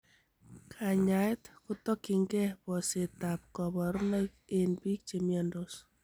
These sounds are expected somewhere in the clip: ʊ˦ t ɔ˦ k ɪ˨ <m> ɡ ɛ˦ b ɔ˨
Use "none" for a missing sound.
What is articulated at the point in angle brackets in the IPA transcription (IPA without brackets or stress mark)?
ŋ